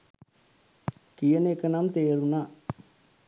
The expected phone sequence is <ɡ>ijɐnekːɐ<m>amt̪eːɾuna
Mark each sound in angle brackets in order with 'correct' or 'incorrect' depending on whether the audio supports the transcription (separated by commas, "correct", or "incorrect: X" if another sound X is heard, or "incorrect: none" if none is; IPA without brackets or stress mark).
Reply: incorrect: k, incorrect: n